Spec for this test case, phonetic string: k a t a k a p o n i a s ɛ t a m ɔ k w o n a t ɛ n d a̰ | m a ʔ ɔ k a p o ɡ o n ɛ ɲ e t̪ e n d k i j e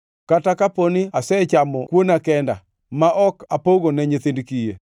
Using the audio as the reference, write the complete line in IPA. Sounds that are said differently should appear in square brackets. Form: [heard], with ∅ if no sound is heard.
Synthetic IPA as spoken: k a t a k a p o n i a s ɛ [t͡ʃ] a m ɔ k w o n a [k] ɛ n d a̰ | m a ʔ ɔ k a p o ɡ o n ɛ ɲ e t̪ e n d k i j e

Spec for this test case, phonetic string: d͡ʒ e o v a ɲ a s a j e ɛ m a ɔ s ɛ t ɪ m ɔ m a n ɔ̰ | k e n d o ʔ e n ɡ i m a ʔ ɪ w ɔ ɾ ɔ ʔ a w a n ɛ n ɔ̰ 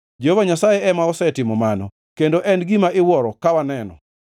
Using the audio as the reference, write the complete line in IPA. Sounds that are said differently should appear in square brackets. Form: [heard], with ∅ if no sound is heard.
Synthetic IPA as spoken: d͡ʒ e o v a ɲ a s a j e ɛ m a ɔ s ɛ t ɪ m ɔ m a n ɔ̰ | k e n d o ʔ [ɛ] n ɡ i m a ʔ ɪ w ɔ ɾ ɔ [k] a w a n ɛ n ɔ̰

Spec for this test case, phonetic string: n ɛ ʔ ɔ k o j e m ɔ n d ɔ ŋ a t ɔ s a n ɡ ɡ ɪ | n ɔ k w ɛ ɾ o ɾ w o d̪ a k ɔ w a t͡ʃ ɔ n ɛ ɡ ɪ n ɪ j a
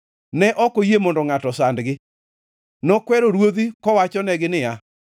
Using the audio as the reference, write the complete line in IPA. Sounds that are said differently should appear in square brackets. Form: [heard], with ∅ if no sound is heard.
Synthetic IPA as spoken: n ɛ ʔ ɔ k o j e m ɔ n d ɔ ŋ a t ɔ s a n [d] ɡ ɪ | n ɔ k w ɛ ɾ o ɾ w o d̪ [i] k ɔ w a t͡ʃ ɔ n ɛ ɡ ɪ n ɪ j a

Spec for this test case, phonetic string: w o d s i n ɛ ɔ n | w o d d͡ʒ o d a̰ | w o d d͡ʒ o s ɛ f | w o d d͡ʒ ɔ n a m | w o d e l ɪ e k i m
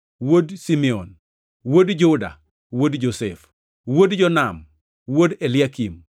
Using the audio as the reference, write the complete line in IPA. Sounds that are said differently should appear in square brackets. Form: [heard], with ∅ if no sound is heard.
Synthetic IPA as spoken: w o d s i [m] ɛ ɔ n | w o d d͡ʒ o d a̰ | w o d d͡ʒ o s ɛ f | w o d d͡ʒ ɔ n a m | w o d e l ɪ [a] k i m

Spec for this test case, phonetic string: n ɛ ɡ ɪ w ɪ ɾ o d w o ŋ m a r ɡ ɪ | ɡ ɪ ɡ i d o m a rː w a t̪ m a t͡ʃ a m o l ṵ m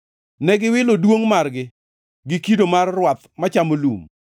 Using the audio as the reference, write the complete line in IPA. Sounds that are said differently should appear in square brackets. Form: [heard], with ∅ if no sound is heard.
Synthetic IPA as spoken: n ɛ ɡ ɪ w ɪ [l] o d w o ŋ m a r ɡ ɪ | ɡ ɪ [k] i d o m a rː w a t̪ m a t͡ʃ a m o l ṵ m

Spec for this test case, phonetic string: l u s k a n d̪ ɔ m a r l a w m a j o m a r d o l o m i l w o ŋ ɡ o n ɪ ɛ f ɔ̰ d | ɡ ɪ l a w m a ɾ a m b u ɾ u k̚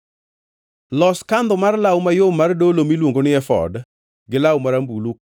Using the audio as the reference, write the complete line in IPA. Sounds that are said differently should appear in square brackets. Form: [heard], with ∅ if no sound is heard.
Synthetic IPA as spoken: l [ɔ] s k a n d̪ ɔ m a r l a w m a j o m a r d o l o m i l w o ŋ ɡ o n ɪ ɛ f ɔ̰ d | ɡ ɪ l a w m a ɾ a m b u [l] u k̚

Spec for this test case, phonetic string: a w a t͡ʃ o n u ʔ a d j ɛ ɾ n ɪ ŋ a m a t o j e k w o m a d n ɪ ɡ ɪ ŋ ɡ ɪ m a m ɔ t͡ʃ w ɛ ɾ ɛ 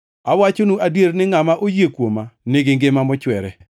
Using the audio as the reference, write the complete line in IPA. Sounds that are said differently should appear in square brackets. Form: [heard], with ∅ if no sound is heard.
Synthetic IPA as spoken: a w a t͡ʃ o n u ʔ a d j [e] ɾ n ɪ ŋ a m a [ʔ] o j e k w o m a [∅] n ɪ ɡ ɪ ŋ ɡ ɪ m a m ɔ t͡ʃ w ɛ ɾ ɛ

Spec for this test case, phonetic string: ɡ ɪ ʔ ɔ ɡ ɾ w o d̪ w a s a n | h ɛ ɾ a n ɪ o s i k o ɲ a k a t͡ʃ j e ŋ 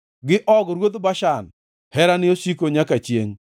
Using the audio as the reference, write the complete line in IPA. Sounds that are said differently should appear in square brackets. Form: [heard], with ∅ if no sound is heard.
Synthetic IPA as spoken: ɡ ɪ ʔ ɔ ɡ ɾ w o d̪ [b] a [ʃ] a n | h ɛ ɾ a n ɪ o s i k o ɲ a k a t͡ʃ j e ŋ

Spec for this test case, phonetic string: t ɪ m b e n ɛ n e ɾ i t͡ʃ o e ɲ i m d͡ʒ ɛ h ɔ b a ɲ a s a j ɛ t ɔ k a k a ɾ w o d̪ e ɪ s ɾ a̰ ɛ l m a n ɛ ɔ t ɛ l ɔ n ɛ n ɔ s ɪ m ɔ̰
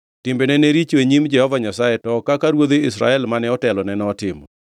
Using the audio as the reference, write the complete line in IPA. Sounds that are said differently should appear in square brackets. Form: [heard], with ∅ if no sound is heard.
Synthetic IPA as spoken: t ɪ m b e n ɛ n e ɾ i t͡ʃ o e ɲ i m d͡ʒ ɛ h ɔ [v] a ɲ a s a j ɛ t ɔ k a k a ɾ w o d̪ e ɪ s ɾ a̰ ɛ l m a n ɛ ɔ t ɛ l ɔ n ɛ n ɔ [t] ɪ m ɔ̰

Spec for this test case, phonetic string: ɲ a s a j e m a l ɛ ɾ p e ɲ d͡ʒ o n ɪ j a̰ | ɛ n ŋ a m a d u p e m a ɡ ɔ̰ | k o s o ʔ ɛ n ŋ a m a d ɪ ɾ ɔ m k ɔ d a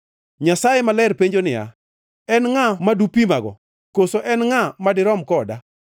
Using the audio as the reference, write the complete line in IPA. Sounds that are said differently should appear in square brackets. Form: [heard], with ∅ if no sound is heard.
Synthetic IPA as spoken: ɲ a s a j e m a l ɛ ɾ p e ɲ d͡ʒ o n ɪ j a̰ | ɛ n ŋ a m a d u p [i] m a ɡ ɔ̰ | k o s o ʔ ɛ n ŋ a m a d ɪ ɾ ɔ m k ɔ d a

